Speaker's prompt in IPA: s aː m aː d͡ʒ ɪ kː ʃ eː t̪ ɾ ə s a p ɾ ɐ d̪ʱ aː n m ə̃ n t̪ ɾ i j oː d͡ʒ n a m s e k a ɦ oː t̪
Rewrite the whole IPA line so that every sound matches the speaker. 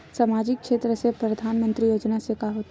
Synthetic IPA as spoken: s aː m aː d͡ʒ ɪ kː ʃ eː t̪ ɾ ə s e p ɾ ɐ d̪ʱ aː n m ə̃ n t̪ ɾ i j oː d͡ʒ n a s e k a ɦ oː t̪